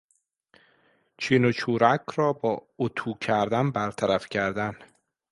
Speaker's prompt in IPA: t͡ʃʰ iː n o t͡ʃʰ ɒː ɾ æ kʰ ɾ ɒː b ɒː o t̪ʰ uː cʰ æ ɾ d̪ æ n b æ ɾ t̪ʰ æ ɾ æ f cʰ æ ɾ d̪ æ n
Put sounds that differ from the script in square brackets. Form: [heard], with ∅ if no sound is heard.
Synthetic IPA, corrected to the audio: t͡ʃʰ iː n o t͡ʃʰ [uː] ɾ æ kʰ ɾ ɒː b ɒː o t̪ʰ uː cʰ æ ɾ d̪ æ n b æ ɾ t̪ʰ æ ɾ æ f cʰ æ ɾ d̪ æ n